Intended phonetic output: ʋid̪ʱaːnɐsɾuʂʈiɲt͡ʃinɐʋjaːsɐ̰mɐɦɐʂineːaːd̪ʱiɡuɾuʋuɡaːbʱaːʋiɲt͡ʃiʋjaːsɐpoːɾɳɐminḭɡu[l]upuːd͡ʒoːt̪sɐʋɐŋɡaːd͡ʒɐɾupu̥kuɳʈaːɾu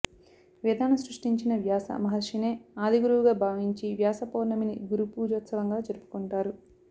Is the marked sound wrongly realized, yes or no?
yes